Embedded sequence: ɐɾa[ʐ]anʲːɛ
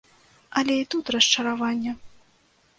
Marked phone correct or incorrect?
incorrect